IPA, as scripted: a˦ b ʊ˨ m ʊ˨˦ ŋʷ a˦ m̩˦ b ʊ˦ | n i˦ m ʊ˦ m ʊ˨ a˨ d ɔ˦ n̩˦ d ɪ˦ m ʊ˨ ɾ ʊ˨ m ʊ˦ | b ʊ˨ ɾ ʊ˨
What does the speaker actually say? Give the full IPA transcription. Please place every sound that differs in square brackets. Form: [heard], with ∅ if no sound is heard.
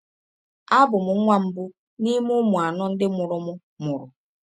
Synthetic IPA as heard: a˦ b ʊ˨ m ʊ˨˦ ŋʷ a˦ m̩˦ b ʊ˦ | n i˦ m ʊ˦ m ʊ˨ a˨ [n] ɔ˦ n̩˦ d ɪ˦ m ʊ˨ ɾ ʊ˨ m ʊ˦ | [m] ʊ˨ ɾ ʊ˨